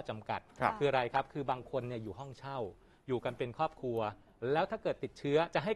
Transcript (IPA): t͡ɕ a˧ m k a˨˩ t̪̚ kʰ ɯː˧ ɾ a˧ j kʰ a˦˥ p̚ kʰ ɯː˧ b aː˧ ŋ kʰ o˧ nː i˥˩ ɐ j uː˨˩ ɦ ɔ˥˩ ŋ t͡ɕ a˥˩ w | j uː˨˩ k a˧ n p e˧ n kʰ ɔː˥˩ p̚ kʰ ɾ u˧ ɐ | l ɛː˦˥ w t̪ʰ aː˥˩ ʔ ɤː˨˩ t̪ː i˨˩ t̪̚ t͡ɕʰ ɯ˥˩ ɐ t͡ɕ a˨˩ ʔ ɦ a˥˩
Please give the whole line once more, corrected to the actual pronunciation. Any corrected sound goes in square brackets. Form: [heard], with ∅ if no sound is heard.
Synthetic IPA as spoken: t͡ɕ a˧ m k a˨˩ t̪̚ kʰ ɯː˧ ɾ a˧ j kʰ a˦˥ p̚ kʰ ɯː˧ b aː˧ ŋ kʰ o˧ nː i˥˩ ɐ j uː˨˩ ɦ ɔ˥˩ ŋ [t͡ɕʰ] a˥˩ w | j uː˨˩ k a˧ n p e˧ n kʰ ɔː˥˩ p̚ kʰ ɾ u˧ ɐ | l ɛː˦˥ w t̪ʰ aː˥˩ [k] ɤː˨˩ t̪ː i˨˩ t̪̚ t͡ɕʰ [ɯ˦˥] ɐ t͡ɕ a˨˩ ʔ ɦ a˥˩